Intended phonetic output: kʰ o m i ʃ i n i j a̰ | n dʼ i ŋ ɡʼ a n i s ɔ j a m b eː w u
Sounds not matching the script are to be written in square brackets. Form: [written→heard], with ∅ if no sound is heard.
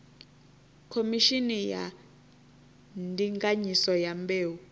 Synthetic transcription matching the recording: kʰ o m i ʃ i n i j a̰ | n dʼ i ŋ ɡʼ a [n→ɲ] i s ɔ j a m b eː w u